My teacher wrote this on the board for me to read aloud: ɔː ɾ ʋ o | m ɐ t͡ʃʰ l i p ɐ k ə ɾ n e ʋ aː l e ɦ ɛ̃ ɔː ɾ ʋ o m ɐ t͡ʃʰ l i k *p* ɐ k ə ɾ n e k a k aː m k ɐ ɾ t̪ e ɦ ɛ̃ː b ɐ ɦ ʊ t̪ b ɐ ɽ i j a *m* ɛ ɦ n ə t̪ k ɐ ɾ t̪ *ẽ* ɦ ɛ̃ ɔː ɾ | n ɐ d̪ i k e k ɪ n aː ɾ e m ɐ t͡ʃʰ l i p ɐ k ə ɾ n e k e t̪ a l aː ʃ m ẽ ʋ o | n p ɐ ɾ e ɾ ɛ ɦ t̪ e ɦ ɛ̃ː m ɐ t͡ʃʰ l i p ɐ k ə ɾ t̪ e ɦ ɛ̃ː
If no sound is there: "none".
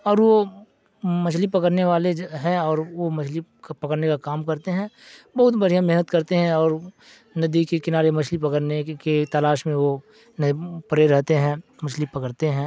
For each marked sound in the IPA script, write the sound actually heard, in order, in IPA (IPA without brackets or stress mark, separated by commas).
p, m, e